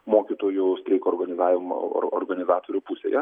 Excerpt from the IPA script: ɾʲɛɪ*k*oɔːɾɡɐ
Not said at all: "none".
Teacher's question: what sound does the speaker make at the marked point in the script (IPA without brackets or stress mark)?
k